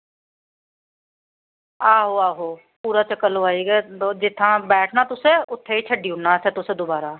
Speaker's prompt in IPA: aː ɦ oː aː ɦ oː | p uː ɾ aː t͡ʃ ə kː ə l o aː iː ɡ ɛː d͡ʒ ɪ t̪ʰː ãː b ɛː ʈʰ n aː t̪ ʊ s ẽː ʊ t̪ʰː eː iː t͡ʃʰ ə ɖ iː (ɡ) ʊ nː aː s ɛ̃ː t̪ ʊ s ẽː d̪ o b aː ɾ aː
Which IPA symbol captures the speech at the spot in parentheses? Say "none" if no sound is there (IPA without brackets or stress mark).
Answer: none